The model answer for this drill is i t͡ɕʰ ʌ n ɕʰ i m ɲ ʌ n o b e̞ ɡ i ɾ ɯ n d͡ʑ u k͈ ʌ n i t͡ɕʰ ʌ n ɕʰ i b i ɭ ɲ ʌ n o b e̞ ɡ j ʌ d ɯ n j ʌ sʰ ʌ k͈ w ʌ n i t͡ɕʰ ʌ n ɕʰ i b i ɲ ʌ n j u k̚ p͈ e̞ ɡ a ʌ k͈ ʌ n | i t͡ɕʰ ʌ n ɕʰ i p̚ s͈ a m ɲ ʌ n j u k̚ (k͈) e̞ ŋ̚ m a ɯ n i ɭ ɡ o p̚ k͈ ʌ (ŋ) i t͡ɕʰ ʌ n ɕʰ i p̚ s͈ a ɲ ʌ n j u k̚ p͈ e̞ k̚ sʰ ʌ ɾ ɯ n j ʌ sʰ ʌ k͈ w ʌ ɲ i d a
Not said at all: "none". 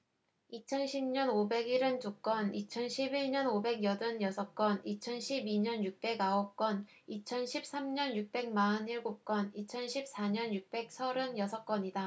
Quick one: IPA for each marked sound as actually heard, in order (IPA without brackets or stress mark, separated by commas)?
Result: p͈, n